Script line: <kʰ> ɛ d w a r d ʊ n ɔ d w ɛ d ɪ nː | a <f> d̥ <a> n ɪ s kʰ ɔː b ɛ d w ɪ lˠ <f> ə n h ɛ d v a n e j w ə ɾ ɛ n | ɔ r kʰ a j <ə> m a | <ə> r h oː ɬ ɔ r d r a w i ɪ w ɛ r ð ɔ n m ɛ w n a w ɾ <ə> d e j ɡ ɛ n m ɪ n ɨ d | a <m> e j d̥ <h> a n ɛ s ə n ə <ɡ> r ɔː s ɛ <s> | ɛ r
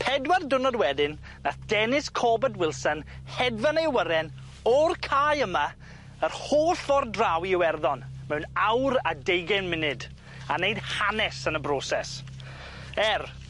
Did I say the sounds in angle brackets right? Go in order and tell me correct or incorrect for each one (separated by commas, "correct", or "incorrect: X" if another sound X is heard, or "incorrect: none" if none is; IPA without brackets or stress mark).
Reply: incorrect: pʰ, incorrect: θ, incorrect: ɛ, incorrect: s, correct, correct, incorrect: a, incorrect: n, correct, incorrect: b, correct